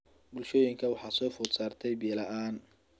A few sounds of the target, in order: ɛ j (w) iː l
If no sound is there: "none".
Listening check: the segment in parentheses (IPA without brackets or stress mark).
b